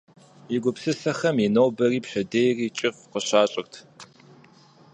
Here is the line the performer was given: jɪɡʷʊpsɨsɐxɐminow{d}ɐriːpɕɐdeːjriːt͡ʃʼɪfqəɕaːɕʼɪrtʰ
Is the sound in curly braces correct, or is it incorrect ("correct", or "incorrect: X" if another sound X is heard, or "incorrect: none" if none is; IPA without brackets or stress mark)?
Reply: incorrect: b